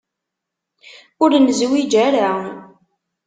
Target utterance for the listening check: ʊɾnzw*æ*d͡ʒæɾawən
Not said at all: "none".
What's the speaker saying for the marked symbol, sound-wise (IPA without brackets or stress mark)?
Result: i